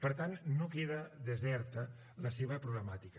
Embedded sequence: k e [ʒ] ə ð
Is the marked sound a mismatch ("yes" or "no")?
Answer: yes